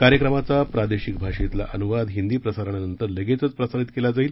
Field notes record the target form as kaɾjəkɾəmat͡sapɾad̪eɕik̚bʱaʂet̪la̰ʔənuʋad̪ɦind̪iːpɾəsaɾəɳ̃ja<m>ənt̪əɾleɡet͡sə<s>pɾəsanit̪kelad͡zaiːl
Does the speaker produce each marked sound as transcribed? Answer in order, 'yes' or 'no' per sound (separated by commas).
no, no